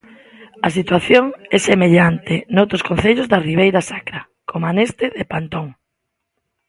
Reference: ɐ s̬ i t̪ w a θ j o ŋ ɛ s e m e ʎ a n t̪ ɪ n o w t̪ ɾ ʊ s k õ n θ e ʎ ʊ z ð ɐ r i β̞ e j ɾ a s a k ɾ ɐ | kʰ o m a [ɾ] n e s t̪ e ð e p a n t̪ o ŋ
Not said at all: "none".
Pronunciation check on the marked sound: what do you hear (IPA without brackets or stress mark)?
none